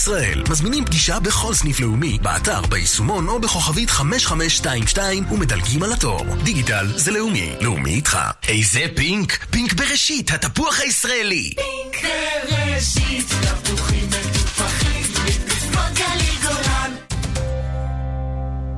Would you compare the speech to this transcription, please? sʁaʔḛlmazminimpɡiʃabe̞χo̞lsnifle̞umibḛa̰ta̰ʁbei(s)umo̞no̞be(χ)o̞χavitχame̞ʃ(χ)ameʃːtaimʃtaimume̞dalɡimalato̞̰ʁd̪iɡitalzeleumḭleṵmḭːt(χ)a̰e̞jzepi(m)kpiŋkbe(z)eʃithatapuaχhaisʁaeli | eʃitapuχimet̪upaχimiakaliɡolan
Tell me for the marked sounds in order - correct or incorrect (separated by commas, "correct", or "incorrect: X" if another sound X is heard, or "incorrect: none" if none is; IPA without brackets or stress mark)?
correct, correct, correct, correct, incorrect: ŋ, incorrect: ʁ